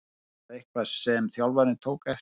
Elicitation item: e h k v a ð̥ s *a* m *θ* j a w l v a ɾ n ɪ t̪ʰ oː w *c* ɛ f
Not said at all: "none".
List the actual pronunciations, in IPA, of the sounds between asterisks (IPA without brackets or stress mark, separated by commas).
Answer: ɛ, θ, k